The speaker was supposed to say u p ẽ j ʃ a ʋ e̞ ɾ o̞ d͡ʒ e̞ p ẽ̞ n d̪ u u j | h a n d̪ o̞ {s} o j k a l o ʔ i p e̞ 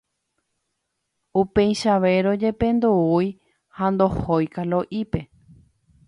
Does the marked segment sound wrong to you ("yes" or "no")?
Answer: yes